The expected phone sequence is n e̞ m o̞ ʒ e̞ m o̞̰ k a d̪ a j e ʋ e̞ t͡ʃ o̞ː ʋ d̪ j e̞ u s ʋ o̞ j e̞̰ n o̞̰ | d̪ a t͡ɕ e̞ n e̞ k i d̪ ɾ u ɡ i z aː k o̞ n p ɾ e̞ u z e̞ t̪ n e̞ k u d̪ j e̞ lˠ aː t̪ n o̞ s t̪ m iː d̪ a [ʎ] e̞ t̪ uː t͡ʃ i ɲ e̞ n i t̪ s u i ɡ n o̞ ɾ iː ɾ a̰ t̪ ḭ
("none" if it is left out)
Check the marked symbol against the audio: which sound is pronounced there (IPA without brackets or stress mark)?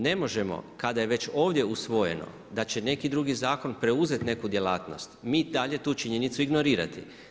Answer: ʎ